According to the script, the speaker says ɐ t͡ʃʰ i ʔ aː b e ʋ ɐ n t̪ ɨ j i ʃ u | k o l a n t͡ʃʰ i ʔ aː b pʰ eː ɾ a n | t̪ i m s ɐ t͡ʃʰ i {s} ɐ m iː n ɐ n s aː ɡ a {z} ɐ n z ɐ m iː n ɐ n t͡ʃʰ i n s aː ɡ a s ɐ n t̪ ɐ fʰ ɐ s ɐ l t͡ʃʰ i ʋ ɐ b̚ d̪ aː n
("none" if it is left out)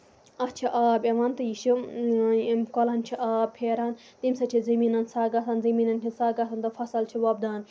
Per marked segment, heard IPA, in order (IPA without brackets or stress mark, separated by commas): z, s